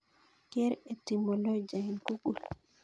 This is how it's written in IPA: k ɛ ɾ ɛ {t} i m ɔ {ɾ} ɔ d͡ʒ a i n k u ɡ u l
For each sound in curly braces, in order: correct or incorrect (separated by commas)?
correct, incorrect